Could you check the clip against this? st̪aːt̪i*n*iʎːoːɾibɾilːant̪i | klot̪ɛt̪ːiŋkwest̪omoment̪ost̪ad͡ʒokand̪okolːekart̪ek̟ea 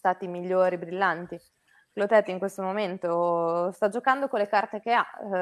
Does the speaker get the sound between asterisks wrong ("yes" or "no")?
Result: yes